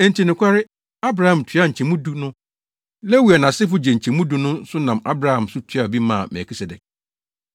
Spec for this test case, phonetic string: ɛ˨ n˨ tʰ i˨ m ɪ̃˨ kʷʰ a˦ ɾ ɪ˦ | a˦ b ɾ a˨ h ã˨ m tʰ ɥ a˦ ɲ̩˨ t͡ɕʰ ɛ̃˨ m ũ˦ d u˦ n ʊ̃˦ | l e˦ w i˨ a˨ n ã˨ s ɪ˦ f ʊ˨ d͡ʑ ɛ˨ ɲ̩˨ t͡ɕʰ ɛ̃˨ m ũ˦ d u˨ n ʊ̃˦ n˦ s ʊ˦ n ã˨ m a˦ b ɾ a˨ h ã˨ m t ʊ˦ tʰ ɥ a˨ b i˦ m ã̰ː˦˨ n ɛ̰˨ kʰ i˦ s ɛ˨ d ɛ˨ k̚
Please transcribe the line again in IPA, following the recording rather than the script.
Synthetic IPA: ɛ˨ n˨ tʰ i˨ n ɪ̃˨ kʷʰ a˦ ɾ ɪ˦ | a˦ b ɾ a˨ h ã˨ m tʰ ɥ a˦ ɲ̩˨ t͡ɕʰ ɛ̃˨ m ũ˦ d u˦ n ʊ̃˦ | l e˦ w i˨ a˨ n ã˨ s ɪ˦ f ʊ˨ d͡ʑ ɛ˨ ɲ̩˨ t͡ɕʰ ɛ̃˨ m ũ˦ d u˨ n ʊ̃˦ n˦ s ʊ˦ n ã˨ m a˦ b ɾ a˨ h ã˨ m s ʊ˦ tʰ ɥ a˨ b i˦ m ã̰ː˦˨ m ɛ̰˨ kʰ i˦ s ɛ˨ d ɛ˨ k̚